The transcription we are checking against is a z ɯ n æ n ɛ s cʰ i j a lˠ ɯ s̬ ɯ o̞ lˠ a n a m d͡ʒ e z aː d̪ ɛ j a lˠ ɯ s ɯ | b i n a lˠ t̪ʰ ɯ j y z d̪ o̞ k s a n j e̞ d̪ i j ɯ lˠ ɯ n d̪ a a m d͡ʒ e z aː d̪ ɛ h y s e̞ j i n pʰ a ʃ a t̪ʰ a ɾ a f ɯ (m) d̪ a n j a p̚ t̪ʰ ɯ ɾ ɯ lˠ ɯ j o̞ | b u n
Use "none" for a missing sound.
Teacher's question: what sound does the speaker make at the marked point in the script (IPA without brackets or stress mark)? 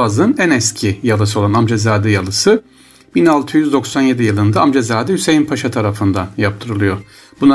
n